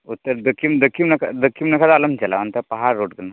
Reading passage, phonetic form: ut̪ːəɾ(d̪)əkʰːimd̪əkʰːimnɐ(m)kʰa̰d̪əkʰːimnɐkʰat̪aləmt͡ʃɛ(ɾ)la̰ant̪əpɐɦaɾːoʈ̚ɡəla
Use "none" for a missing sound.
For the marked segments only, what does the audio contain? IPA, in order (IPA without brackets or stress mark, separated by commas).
d̪, none, none